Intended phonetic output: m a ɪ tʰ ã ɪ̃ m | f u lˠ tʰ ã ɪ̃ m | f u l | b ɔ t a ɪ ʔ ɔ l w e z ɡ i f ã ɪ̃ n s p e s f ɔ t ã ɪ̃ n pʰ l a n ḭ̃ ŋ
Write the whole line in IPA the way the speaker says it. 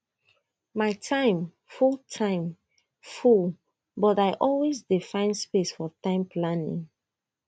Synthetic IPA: m a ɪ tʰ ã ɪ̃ m | f u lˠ tʰ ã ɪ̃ m | f u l | b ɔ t a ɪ ʔ ɔ l w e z d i f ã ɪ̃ n s p e s f ɔ t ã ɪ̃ m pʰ l a n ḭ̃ ŋ